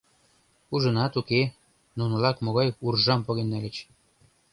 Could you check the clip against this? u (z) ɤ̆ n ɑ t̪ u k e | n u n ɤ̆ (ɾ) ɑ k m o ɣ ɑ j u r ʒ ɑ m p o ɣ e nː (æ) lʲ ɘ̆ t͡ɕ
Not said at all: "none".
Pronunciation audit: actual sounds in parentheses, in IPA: ʒ, l, æ

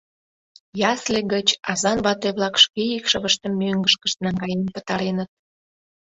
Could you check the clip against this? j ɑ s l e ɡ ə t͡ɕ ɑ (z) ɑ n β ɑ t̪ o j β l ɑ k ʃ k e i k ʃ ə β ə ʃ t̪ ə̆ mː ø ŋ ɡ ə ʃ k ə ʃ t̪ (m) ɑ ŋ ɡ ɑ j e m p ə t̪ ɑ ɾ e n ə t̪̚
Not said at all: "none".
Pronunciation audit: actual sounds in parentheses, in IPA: z, n

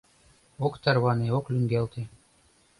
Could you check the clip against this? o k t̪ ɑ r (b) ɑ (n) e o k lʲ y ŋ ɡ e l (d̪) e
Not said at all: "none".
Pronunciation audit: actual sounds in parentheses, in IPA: β, n, t̪

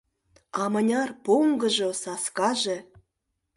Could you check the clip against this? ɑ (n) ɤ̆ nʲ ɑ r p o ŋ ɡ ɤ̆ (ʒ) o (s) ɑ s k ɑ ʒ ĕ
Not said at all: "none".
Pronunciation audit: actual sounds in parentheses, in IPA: m, ʒ, s

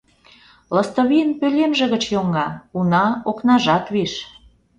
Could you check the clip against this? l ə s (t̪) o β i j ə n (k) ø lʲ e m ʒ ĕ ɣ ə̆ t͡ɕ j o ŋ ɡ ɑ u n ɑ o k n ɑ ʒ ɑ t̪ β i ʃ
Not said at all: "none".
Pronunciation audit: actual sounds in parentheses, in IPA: t̪, p

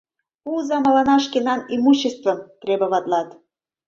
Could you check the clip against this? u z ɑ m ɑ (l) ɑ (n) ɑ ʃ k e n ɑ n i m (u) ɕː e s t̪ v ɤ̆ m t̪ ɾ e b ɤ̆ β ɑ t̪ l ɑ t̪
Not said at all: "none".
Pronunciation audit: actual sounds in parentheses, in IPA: l, n, u

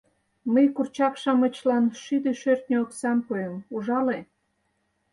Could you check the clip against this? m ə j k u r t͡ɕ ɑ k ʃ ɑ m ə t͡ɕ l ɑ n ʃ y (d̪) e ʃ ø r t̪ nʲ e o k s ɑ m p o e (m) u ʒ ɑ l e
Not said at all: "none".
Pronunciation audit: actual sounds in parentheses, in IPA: d̪, m

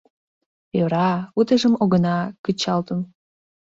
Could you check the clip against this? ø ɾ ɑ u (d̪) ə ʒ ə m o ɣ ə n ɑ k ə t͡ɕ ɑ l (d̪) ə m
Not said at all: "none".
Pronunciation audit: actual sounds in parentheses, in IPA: t̪, t̪

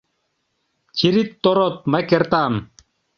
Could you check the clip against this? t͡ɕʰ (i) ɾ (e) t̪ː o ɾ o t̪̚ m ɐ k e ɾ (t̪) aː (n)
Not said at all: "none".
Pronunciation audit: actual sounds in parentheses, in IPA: i, i, t̪, m

